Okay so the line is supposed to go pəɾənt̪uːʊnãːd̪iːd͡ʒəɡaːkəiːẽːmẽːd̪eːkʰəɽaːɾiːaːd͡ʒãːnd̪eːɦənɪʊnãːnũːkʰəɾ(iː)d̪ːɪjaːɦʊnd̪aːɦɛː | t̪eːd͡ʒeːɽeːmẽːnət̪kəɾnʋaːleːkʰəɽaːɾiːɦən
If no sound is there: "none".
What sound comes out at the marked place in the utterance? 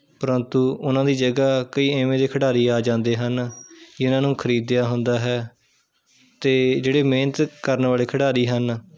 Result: iː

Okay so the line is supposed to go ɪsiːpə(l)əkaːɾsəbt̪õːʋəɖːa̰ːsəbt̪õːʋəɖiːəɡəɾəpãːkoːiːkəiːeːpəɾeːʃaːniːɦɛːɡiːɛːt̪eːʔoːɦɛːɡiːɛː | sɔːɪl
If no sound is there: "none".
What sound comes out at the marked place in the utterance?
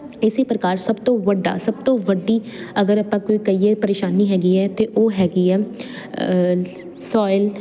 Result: ɾ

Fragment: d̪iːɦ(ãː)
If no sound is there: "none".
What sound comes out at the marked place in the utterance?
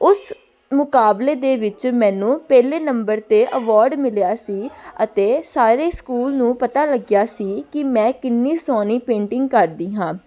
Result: ãː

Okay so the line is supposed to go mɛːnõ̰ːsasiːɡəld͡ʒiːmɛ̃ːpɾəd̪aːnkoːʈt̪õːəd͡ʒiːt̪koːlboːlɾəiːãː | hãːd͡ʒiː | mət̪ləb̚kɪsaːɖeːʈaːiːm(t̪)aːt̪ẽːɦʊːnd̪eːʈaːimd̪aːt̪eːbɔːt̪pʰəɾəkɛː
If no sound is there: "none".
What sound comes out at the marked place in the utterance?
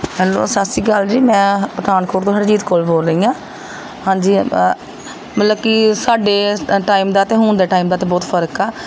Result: d̪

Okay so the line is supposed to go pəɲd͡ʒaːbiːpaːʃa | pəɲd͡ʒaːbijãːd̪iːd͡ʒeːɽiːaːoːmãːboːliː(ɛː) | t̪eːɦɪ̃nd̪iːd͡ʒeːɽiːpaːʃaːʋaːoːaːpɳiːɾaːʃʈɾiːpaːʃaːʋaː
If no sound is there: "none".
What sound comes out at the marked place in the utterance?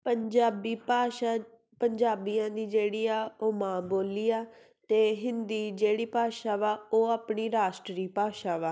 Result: aː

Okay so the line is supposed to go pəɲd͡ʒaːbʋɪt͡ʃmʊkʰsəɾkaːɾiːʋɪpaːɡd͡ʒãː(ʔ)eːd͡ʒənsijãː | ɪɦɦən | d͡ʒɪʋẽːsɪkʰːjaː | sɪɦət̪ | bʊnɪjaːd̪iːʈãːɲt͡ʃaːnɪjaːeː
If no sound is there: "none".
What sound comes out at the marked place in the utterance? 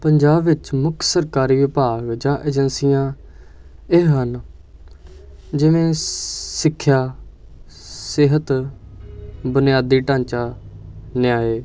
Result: ʔ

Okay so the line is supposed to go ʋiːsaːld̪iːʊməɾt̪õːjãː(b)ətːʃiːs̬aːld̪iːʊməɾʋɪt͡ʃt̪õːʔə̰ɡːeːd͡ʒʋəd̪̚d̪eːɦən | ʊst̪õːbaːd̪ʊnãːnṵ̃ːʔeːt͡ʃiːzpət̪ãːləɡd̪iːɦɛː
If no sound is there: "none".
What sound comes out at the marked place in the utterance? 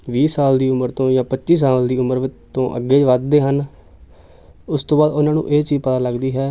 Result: p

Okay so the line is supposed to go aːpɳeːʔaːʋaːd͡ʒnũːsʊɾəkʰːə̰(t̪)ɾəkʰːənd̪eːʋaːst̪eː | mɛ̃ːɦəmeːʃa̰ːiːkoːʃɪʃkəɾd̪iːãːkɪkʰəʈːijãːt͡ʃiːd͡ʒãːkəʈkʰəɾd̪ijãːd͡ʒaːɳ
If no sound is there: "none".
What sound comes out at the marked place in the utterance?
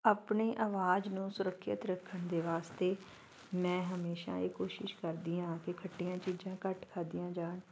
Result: t̪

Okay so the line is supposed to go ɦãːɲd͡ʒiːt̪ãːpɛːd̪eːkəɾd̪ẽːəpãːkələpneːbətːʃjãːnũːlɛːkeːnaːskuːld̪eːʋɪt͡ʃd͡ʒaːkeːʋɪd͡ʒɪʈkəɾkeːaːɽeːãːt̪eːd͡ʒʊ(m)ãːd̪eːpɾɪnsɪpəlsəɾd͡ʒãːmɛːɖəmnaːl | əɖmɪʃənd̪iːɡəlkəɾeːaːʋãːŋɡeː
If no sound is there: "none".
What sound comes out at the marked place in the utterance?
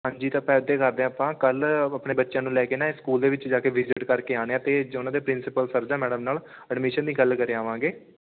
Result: n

